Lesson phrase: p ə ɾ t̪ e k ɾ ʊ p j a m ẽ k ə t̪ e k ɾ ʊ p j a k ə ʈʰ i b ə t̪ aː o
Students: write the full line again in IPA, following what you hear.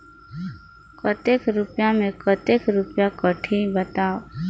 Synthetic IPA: k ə t̪ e k ɾ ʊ p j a m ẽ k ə t̪ e k ɾ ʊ p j a k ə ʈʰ i b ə t̪ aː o